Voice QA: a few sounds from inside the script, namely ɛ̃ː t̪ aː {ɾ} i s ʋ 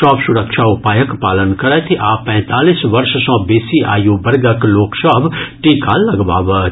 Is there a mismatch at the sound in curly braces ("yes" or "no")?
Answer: yes